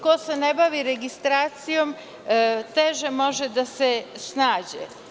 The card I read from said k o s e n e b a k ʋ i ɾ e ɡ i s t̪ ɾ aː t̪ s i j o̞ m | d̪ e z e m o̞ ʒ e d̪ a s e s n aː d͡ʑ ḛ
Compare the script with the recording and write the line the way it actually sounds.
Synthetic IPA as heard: k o s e n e b a ʋ i ɾ e ɡ i s t̪ ɾ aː t̪ s i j o̞ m | t̪ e ʒ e m o̞ ʒ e d̪ a s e s n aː d͡ʑ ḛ